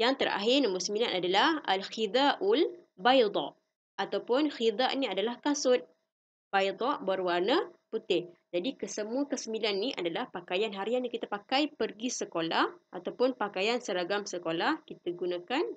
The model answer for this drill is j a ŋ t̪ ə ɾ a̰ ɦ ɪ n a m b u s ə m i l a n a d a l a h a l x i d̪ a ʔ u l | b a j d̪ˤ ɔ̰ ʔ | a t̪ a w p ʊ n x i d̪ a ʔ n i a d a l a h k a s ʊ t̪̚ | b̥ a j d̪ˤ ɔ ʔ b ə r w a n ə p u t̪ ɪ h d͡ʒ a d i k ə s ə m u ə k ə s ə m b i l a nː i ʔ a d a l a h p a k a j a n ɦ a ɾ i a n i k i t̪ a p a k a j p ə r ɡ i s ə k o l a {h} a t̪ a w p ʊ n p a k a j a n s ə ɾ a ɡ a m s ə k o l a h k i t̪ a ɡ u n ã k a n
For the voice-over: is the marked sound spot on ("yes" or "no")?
yes